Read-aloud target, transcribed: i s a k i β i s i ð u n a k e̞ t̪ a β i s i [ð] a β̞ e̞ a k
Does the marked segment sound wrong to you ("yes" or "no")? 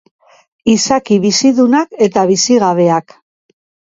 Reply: yes